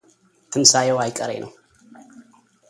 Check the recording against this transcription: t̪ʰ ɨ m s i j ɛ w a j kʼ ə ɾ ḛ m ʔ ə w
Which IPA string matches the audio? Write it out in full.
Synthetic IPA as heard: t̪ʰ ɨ m s a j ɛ w a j kʼ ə ɾ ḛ n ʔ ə w